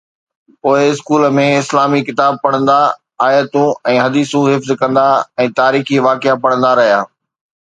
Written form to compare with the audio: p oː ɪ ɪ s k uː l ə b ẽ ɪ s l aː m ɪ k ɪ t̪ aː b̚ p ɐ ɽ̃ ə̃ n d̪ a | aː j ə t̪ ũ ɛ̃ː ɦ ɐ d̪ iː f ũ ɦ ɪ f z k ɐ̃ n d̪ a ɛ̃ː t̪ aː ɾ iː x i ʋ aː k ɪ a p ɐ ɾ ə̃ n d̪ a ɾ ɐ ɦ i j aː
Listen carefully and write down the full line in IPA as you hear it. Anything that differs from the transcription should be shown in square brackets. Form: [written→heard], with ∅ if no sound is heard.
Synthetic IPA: p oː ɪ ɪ s k uː l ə [b→m] ẽ ɪ s l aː m [ɪ→i] k ɪ t̪ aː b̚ p ɐ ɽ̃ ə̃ n d̪ a | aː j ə t̪ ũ ɛ̃ː ɦ ɐ d̪ iː [f→s] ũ ɦ ɪ f z k ɐ̃ n d̪ a ɛ̃ː t̪ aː ɾ iː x i ʋ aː k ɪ a p ɐ [ɾ→ɽ] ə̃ n d̪ a ɾ ɐ ɦ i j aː